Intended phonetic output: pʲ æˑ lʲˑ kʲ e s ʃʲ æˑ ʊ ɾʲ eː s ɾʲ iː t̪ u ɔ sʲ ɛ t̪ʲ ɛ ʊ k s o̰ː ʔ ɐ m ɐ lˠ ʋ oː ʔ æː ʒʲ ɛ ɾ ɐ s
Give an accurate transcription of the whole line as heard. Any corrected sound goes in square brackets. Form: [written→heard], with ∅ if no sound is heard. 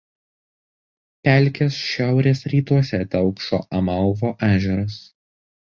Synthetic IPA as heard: pʲ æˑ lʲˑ kʲ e s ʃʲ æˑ ʊ ɾʲ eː s ɾʲ iː t̪ u ɔ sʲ ɛ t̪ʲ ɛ ʊ k [s→ʃ] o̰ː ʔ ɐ m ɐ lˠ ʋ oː ʔ æː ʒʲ ɛ ɾ ɐ s